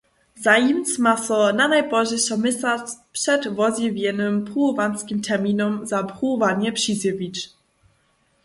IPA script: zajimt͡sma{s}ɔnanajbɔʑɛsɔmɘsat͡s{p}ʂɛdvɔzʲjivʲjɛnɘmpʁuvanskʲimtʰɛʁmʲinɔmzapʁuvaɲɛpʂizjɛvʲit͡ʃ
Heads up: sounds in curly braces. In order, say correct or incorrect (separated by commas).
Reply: correct, correct